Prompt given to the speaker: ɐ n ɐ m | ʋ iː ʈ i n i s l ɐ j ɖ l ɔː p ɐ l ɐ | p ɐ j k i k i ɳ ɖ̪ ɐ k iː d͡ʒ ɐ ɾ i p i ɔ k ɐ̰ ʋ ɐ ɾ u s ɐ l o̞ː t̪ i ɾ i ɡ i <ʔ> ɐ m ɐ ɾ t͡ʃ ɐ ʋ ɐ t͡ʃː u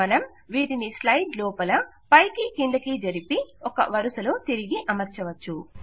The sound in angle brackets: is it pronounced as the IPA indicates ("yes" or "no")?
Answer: yes